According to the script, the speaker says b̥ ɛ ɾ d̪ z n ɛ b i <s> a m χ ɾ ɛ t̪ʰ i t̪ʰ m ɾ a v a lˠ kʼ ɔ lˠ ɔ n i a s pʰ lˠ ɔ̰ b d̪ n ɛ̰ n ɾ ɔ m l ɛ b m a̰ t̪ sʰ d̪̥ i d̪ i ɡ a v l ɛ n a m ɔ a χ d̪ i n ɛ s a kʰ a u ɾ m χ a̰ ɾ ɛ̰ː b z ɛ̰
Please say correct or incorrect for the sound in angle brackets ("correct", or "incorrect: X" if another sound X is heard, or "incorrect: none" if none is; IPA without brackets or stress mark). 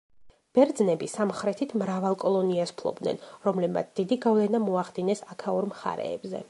correct